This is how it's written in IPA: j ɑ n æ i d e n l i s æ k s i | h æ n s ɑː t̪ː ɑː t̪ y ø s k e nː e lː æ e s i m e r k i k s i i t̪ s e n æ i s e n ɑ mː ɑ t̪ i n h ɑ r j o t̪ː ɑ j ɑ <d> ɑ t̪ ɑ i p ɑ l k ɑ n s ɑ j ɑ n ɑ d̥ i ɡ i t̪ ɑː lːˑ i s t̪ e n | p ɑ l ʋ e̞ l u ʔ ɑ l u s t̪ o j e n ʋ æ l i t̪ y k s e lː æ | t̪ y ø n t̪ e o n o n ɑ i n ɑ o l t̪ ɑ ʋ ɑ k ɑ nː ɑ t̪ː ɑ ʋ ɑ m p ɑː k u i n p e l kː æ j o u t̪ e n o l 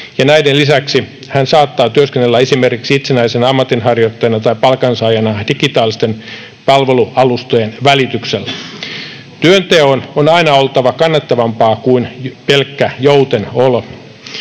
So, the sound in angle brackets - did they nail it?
no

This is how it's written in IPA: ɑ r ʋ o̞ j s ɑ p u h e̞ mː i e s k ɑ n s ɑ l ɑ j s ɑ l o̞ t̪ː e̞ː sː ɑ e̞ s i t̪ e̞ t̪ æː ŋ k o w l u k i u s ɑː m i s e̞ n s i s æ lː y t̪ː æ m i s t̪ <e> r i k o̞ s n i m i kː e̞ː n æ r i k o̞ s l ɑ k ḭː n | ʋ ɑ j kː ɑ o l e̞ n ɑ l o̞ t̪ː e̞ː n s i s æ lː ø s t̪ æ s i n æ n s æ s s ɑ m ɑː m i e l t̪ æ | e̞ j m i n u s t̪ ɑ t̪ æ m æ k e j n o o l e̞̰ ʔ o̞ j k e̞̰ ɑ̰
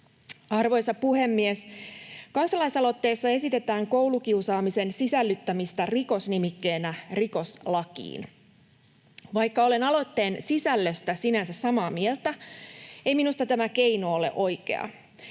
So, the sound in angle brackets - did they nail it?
no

